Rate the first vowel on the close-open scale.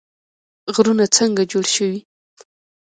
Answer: close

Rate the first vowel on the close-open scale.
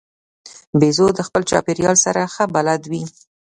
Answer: mid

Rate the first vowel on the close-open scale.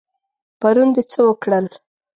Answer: open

